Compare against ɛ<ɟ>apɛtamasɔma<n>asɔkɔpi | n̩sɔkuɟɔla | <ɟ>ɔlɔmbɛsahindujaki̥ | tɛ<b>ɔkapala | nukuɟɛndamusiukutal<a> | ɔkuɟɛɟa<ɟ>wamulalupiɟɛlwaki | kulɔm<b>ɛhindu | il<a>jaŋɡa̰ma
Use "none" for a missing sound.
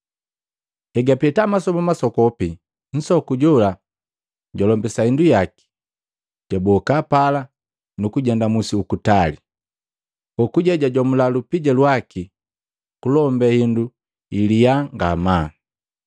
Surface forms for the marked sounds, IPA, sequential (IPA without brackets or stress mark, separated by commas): ɡ, m, ɟ, b, i, ɟ, b, i